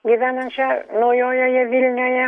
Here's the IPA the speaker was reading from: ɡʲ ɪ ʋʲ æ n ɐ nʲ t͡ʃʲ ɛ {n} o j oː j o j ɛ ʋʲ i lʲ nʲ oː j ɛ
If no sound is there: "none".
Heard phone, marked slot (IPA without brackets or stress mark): n